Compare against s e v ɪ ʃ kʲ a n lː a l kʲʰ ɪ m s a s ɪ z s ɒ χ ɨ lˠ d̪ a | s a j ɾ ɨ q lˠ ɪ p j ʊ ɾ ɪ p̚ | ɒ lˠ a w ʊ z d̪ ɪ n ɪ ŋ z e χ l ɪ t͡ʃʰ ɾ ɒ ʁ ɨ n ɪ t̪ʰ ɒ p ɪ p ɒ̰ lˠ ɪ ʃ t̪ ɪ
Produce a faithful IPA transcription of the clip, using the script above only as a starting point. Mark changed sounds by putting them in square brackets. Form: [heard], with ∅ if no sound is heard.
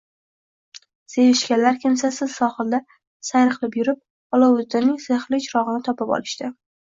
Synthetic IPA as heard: s e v ɪ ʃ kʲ a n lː a [ɾ] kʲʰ ɪ m s a s ɪ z s ɒ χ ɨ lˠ d̪ a | s a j ɾ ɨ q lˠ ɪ p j ʊ ɾ ɪ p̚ | ɒ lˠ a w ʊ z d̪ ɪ n ɪ ŋ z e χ l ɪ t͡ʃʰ ɾ ɒ ʁ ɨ n ɪ t̪ʰ ɒ p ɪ p ɒ̰ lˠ ɪ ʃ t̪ ɪ